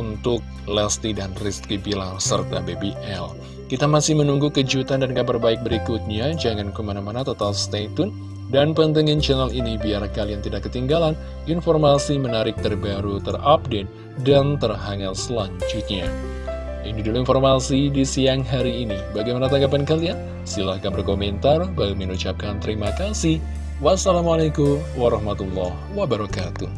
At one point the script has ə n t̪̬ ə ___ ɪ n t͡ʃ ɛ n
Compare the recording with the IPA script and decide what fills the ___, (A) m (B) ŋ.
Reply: B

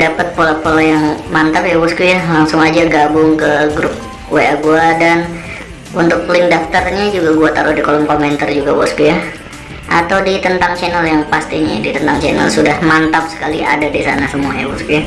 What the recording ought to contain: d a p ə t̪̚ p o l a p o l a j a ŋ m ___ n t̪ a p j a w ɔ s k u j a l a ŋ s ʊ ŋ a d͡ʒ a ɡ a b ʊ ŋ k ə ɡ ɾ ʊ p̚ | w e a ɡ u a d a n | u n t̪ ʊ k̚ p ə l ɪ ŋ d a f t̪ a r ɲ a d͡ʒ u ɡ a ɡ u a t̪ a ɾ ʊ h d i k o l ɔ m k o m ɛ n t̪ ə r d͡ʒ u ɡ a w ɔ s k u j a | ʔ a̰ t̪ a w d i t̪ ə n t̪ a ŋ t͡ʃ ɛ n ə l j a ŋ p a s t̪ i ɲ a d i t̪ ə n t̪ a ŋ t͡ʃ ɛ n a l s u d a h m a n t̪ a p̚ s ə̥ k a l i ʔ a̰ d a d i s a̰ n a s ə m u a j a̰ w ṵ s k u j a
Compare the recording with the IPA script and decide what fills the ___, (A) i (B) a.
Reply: B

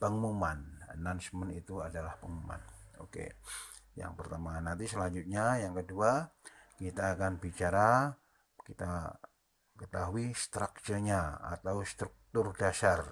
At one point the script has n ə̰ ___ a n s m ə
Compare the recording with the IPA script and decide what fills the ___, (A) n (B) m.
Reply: A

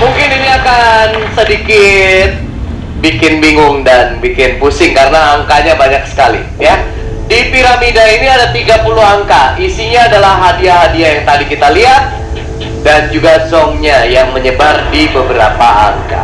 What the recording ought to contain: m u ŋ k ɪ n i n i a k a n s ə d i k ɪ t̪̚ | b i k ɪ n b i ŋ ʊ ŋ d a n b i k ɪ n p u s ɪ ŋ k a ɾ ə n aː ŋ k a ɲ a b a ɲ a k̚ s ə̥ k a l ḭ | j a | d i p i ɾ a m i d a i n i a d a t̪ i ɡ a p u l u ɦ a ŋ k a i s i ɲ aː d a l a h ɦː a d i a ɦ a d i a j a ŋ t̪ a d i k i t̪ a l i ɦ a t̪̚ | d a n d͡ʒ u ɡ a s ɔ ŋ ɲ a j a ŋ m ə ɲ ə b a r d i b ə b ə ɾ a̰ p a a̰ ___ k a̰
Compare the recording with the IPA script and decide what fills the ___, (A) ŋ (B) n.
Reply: A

